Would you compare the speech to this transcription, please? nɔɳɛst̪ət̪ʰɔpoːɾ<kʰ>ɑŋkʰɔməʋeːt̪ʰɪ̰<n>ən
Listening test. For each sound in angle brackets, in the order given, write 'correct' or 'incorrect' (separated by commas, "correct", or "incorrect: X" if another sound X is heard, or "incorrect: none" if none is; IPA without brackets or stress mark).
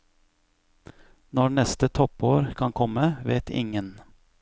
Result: correct, incorrect: ŋ